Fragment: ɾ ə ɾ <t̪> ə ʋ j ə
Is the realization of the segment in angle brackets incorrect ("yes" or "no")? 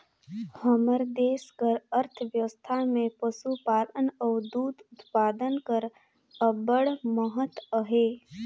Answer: yes